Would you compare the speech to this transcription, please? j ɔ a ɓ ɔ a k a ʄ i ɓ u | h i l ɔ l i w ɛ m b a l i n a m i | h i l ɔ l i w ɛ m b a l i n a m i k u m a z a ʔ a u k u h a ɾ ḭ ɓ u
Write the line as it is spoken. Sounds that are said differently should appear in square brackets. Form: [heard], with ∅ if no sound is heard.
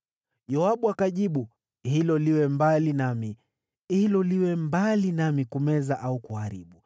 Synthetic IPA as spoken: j ɔ a ɓ [u] a k a ʄ i ɓ u | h i l ɔ l i w ɛ m b a l i n a m i | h i l ɔ l i w ɛ m b a l i n a m i k u m [ɛ] z a ʔ a u k u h a ɾ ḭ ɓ u